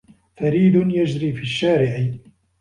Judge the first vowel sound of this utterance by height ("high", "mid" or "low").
low